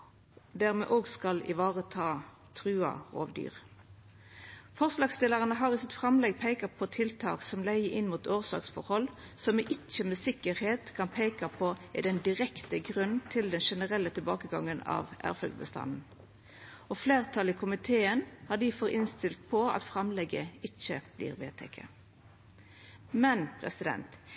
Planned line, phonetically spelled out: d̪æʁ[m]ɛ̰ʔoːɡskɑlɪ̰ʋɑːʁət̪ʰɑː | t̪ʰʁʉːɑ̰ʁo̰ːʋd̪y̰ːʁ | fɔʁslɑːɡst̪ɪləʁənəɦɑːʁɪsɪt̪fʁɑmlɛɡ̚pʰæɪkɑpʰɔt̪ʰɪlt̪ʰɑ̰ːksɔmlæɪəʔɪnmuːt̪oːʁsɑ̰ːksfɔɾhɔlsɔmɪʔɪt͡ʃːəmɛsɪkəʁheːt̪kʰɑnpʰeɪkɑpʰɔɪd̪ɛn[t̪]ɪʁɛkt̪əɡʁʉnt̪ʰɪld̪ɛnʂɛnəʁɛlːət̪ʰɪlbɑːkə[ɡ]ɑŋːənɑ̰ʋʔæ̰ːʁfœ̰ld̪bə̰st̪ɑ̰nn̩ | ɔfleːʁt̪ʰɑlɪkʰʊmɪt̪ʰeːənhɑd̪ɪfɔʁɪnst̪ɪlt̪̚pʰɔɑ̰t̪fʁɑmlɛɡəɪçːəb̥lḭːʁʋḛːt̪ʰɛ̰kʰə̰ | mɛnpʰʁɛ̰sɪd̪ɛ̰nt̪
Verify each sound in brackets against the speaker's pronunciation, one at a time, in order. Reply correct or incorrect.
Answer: correct, incorrect: d̪, correct

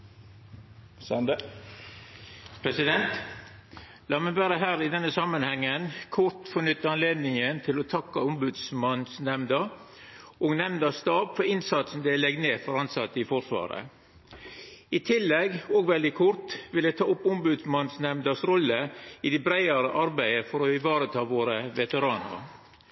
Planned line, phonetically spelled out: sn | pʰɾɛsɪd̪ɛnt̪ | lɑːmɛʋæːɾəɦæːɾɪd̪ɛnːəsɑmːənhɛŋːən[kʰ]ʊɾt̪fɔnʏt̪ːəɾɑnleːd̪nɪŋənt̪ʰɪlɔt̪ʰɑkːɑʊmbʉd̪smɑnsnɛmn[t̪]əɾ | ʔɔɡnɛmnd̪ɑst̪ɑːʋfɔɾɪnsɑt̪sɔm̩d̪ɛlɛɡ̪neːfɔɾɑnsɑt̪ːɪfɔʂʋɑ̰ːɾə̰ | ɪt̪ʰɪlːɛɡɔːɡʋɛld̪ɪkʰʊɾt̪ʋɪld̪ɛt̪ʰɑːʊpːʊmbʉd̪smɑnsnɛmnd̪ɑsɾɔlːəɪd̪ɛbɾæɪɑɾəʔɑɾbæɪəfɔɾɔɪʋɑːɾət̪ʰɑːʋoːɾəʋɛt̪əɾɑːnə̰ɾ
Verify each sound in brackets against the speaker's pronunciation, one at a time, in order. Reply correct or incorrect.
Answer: correct, incorrect: d̪

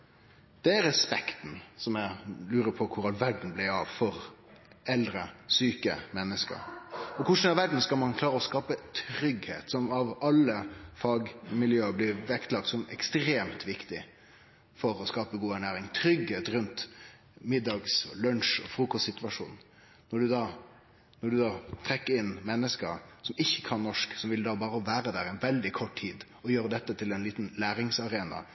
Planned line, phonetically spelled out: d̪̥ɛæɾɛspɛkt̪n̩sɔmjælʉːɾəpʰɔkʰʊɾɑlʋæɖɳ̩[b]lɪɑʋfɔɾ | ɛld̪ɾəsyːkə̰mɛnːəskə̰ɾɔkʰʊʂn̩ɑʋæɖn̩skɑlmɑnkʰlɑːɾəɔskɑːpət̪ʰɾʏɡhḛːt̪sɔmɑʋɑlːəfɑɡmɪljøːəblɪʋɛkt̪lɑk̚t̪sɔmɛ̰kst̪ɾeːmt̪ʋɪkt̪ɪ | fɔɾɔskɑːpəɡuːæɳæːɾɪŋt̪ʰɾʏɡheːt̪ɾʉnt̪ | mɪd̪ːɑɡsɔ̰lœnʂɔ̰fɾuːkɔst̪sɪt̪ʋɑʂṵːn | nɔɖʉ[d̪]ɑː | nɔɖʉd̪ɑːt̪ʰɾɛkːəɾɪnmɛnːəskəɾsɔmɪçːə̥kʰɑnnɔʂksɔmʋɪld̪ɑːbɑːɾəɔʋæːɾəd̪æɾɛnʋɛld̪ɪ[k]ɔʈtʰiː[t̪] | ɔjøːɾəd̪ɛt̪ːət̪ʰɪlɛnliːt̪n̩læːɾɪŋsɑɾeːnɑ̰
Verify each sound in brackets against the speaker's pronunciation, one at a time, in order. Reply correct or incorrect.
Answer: correct, correct, incorrect: kʰ, incorrect: d̪

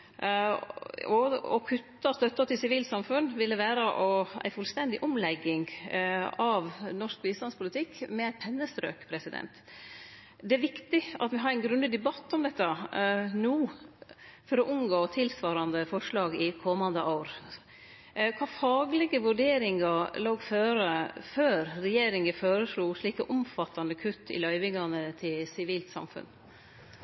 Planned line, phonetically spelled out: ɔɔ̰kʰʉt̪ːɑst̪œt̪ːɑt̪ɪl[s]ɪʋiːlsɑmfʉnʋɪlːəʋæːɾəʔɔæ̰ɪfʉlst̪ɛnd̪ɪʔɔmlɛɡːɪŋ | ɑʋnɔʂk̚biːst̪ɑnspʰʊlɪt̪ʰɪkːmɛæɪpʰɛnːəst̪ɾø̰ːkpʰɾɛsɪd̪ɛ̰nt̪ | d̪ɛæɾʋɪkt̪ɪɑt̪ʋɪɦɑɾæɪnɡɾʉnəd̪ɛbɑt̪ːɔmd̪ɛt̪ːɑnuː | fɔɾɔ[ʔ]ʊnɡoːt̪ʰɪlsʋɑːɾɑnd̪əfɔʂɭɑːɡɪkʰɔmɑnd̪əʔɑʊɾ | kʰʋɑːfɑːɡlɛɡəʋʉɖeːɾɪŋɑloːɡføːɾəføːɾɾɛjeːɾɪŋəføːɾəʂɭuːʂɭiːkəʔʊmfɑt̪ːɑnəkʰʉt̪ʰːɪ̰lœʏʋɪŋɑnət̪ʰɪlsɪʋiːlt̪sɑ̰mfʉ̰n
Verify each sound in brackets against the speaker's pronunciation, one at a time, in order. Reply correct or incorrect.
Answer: correct, correct

